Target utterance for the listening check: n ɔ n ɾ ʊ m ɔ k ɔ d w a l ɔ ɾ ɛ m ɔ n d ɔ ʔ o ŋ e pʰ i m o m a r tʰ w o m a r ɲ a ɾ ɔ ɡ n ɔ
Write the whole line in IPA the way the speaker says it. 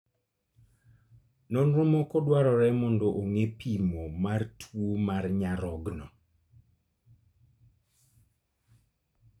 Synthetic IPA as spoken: n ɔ n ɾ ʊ m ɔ k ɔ d w a ɾ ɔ ɾ ɛ m ɔ n d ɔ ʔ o ŋ e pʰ i m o m a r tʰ w o m a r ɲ a ɾ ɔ ɡ n ɔ